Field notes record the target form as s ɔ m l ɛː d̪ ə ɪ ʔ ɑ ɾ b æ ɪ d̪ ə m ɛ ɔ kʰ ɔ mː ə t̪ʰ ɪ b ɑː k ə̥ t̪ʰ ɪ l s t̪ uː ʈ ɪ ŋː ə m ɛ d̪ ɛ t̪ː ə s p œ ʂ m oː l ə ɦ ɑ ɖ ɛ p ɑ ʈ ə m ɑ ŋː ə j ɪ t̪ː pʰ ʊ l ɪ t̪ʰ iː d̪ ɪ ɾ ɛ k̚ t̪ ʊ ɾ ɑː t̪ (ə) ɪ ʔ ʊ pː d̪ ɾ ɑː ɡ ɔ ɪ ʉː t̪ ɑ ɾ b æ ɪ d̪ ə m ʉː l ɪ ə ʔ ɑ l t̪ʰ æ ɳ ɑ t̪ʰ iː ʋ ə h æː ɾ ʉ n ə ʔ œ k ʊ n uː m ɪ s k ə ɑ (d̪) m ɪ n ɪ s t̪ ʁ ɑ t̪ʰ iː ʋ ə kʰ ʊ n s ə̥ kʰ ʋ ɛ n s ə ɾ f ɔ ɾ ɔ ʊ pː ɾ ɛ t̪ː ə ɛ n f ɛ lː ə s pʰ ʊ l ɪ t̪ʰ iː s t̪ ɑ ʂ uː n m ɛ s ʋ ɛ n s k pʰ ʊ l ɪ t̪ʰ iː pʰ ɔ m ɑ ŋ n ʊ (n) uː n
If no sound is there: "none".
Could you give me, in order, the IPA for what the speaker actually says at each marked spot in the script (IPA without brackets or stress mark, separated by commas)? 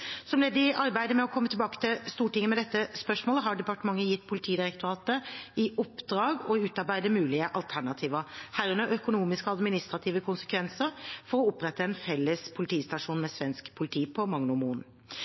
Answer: ə, d̪, m